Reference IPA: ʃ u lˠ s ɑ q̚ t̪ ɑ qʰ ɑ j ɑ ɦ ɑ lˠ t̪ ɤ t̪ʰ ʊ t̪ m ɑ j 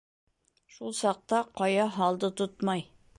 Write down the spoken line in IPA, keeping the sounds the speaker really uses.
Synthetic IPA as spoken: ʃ u lˠ s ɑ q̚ t̪ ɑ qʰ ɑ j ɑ ɦ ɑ lˠ d̪ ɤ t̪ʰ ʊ t̪ m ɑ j